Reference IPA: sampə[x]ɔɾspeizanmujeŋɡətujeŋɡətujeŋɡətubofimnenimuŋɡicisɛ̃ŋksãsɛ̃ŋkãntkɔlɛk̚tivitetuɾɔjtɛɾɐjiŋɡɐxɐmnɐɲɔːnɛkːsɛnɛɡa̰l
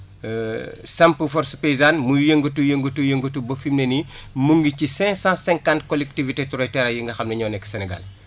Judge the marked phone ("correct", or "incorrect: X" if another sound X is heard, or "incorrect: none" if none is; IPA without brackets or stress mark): incorrect: f